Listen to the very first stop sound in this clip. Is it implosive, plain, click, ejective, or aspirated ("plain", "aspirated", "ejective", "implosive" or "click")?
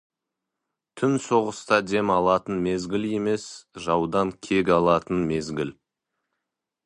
aspirated